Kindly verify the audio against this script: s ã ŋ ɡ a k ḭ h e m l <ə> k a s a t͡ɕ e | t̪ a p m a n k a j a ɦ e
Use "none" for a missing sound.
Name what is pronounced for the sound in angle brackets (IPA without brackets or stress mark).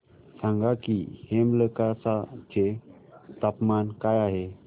ə